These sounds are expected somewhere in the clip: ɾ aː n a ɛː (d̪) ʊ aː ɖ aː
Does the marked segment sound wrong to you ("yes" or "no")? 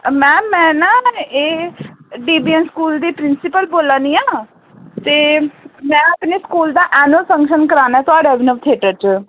yes